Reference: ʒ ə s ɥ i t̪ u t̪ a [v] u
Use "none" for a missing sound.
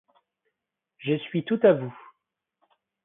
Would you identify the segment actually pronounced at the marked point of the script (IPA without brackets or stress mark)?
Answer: v